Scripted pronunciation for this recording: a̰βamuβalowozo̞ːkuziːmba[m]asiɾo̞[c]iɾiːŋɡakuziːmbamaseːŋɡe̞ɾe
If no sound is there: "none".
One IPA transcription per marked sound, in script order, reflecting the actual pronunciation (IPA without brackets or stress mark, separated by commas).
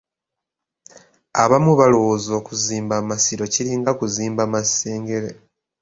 m, c